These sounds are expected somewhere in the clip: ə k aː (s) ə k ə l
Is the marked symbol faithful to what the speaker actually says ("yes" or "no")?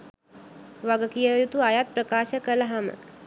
no